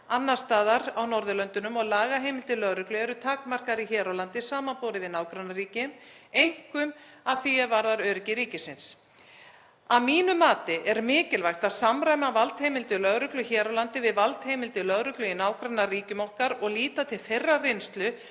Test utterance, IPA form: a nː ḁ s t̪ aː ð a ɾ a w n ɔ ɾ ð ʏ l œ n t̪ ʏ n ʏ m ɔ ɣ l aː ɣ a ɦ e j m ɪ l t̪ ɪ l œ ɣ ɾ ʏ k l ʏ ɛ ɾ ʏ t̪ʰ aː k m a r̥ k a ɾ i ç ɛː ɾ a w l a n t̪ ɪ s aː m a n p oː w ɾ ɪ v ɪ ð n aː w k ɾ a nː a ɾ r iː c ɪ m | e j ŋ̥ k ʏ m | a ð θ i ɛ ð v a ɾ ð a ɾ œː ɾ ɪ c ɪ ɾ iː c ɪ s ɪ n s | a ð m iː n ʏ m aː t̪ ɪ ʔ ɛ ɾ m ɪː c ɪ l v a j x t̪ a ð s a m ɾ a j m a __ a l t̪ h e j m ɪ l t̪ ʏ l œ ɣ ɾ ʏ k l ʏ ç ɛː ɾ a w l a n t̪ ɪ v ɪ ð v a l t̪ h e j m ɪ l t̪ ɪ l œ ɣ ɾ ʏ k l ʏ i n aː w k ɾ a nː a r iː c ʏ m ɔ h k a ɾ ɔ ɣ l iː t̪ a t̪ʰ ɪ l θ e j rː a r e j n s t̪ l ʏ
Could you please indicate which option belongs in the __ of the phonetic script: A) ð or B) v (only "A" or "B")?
B